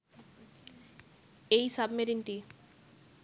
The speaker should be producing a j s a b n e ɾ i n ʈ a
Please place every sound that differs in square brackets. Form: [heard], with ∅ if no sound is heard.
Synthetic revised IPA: [e] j s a b [m] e ɾ i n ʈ [i]